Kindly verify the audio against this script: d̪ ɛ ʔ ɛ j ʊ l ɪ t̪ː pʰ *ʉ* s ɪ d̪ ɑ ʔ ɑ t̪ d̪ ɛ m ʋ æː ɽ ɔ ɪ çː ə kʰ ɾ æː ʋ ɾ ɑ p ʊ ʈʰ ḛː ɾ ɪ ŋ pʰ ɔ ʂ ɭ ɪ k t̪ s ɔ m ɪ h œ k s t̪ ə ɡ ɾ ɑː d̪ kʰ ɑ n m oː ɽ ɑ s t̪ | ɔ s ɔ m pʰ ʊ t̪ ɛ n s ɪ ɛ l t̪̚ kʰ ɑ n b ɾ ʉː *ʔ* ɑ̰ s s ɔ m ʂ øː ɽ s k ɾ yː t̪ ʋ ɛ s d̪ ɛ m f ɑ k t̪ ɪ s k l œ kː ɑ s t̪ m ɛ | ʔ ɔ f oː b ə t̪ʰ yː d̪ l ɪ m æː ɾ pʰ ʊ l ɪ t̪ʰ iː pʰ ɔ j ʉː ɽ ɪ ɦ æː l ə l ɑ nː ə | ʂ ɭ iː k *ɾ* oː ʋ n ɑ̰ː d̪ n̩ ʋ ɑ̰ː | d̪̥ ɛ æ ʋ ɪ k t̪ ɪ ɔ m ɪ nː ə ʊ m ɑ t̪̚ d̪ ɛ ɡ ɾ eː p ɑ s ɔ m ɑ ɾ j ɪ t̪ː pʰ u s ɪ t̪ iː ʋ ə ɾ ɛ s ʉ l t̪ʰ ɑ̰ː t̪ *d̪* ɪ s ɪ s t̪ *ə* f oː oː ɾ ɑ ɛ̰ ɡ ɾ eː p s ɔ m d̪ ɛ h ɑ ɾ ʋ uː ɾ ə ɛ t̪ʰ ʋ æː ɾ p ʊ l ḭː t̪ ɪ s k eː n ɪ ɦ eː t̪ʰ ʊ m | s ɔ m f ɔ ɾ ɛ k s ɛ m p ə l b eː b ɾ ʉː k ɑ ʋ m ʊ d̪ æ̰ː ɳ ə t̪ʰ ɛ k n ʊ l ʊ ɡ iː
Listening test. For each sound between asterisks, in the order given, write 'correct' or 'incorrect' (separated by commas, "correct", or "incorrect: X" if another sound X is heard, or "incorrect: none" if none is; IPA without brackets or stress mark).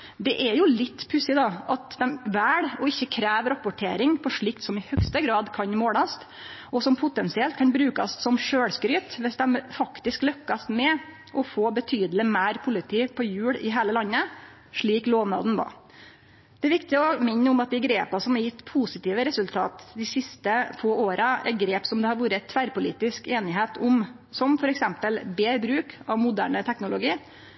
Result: correct, incorrect: k, incorrect: l, correct, correct